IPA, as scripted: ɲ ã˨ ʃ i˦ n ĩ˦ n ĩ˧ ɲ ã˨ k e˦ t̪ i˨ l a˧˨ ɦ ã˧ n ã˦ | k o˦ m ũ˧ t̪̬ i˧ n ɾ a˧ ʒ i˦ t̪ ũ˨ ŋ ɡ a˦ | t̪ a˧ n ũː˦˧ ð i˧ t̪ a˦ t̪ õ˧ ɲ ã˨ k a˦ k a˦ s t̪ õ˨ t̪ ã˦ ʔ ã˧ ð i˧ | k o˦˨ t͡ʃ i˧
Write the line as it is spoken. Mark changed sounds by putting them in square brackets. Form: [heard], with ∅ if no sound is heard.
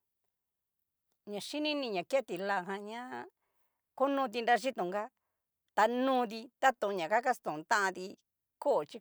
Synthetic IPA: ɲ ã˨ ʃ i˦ n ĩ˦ n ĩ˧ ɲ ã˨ k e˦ t̪ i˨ l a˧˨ ɦ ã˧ [ɲ] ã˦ | k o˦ [n] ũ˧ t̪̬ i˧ n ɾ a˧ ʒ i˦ t̪ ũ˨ ŋ ɡ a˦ | t̪ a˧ n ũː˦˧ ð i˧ t̪ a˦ t̪ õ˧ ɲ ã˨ k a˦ k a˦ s t̪ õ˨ t̪ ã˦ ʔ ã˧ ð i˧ | k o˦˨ t͡ʃ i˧